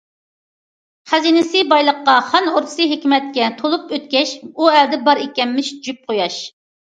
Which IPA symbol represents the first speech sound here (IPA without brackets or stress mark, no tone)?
χ